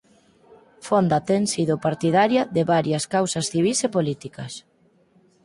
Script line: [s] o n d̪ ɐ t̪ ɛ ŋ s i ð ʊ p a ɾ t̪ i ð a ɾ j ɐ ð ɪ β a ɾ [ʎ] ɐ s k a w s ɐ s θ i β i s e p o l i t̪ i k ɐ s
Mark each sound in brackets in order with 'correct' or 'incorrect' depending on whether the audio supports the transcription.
incorrect, incorrect

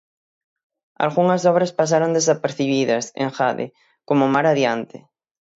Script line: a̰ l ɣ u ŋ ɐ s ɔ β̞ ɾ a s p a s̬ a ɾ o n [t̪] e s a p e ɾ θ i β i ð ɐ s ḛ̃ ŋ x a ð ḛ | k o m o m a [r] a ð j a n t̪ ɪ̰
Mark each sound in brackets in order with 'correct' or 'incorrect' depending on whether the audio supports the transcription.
incorrect, incorrect

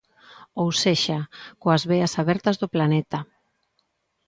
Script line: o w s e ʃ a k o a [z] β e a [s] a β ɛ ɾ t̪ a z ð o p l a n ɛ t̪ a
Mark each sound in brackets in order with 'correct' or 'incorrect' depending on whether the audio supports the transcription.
correct, correct

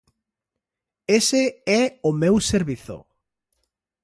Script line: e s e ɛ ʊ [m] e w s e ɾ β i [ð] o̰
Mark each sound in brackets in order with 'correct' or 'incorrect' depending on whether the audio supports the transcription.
correct, incorrect

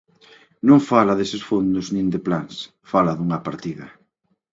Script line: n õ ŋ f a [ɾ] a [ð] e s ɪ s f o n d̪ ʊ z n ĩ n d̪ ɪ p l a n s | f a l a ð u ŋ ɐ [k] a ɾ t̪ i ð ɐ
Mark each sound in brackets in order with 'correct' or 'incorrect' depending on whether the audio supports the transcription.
incorrect, correct, incorrect

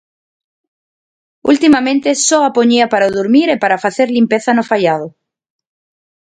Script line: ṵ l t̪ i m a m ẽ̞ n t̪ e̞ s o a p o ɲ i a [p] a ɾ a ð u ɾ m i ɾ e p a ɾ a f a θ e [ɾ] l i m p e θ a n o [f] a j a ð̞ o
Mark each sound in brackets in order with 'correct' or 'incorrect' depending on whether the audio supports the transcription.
correct, correct, correct

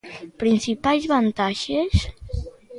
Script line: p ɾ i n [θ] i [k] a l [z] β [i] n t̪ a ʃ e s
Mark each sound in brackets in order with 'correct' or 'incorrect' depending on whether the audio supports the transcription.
incorrect, incorrect, correct, incorrect

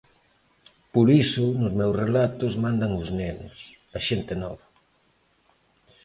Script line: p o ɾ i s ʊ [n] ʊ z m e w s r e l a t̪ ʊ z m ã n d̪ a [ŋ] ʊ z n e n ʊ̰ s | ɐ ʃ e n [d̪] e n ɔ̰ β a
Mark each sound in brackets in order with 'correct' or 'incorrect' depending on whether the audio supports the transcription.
correct, correct, incorrect

